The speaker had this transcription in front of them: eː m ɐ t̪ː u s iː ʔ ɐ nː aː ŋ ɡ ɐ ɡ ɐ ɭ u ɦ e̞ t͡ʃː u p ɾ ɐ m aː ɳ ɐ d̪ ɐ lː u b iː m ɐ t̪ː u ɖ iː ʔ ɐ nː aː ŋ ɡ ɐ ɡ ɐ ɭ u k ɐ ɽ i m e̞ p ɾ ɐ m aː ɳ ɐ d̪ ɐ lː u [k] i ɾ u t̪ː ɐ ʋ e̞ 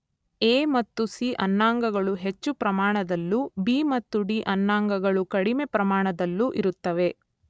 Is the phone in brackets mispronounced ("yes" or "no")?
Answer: yes